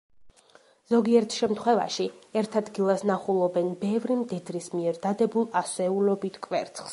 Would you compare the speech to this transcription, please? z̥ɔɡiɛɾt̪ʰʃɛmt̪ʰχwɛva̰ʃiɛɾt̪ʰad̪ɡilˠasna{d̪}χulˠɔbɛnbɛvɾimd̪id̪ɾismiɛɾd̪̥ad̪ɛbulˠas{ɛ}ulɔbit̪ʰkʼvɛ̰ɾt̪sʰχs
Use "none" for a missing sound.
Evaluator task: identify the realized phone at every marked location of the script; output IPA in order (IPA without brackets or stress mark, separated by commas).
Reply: none, ɛ